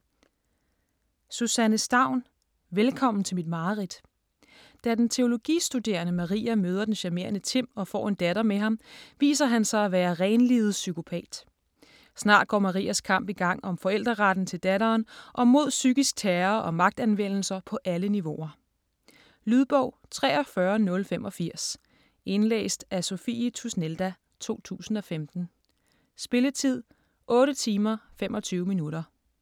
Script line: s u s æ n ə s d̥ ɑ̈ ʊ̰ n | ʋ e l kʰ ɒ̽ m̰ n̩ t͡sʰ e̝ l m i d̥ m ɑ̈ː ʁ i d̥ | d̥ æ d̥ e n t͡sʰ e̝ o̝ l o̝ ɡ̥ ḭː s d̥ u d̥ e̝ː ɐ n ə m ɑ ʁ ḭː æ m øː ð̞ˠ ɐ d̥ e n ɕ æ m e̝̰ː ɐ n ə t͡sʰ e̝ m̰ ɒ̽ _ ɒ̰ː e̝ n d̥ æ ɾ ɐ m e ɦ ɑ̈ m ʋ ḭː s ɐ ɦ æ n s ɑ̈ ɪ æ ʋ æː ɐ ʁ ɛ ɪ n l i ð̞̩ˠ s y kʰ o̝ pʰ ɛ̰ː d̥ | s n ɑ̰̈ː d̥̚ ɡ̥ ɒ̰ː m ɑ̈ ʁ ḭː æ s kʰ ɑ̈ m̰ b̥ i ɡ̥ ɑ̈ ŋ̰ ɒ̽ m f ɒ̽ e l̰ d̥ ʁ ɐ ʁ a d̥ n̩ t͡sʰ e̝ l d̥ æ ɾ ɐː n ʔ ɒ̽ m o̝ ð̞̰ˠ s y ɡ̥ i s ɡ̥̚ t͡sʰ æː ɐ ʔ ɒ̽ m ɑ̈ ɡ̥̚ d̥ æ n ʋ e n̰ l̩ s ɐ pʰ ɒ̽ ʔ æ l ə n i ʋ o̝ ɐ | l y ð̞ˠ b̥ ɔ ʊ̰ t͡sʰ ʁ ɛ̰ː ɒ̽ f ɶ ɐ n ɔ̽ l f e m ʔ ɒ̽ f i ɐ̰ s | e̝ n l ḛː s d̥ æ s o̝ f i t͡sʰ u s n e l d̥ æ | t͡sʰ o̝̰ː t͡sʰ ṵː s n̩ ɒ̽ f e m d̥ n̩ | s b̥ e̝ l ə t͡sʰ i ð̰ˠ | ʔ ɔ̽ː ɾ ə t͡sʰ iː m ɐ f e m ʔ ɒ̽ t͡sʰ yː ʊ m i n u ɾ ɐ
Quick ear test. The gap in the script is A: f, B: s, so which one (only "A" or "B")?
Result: A